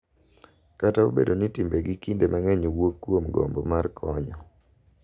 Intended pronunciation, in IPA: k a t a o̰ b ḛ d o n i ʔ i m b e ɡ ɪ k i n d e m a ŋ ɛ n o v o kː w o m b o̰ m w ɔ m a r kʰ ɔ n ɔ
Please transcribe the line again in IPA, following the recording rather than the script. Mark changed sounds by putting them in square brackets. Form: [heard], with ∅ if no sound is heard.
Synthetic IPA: k a t a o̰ b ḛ d o n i [t] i m b e ɡ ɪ k i n d e m a ŋ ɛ [ɲ] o [w] o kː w o m [ɡ] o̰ m [b] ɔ m a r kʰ ɔ [ɲ] ɔ